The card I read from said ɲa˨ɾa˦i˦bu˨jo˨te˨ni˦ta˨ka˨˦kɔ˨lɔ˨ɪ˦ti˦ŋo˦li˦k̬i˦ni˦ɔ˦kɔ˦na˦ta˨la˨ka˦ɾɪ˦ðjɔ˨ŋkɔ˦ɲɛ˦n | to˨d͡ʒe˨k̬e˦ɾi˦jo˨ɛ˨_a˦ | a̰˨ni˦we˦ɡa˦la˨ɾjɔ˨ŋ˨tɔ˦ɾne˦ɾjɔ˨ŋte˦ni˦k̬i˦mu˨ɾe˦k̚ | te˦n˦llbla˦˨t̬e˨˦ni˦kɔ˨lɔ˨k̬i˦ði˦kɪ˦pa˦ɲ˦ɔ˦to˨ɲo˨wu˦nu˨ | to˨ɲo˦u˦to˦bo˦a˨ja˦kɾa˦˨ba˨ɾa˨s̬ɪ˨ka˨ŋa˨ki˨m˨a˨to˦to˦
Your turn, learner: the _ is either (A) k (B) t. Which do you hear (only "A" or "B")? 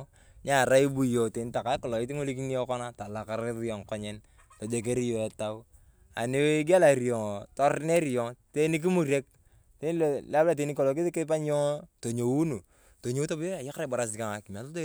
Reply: B